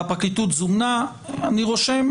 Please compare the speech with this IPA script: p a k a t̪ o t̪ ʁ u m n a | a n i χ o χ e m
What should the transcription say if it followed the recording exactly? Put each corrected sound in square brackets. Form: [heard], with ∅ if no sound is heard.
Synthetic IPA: p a k [i] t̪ [u] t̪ [z] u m n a | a n i [ʁ] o [ʃ] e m